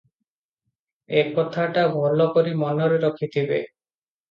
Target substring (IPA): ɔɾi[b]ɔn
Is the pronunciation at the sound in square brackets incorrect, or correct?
incorrect